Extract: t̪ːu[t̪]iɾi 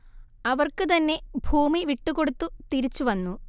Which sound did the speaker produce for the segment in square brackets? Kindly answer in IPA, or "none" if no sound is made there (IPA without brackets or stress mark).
t̪